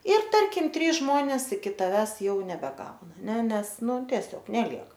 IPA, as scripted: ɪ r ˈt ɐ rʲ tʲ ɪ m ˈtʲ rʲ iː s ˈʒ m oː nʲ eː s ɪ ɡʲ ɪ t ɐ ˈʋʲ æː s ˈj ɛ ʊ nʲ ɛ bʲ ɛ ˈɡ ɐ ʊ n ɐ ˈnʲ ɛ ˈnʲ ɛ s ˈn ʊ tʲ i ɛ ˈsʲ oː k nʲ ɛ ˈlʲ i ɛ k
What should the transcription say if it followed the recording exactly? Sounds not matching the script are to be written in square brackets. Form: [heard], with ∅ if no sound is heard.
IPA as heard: ɪ r ˈt ɐ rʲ [kʲ] ɪ m ˈtʲ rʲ iː s ˈʒ m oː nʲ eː s ɪ [kʲ] ɪ t ɐ ˈʋʲ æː s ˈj ɛ ʊ nʲ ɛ bʲ ɛ ˈɡ ɐ ʊ n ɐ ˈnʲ ɛ ˈnʲ ɛ s ˈn ʊ tʲ i ɛ ˈsʲ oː k nʲ ɛ ˈlʲ i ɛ k